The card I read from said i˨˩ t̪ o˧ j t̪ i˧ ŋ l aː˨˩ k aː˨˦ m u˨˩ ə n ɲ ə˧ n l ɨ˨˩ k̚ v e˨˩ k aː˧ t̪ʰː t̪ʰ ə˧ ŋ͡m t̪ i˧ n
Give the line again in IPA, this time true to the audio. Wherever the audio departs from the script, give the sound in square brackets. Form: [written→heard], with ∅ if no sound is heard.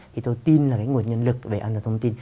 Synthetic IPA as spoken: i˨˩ t̪ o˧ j t̪ i˧ [ŋ→n] l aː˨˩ k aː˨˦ [m→ŋ] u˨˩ ə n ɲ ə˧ n l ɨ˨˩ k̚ v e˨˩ [k→ʔ] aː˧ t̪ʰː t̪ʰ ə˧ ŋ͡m t̪ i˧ n